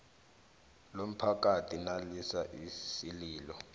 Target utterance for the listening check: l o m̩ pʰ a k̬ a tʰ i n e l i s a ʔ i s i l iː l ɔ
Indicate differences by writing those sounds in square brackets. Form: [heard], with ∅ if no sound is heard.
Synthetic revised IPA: l o m̩ pʰ a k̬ a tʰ i n [a] l i s a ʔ i s i l iː l ɔ